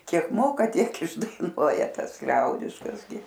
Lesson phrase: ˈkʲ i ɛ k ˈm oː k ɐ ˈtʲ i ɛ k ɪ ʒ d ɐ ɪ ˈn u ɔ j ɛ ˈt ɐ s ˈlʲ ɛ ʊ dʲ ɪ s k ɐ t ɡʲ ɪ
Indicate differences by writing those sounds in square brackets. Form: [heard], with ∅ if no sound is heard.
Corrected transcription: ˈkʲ i ɛ k ˈm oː k ɐ ˈtʲ i ɛ k ɪ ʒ d ɐ ɪ ˈn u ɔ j ɛ ˈt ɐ s ˈlʲ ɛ ʊ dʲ ɪ [ʃ] k ɐ [s] ɡʲ ɪ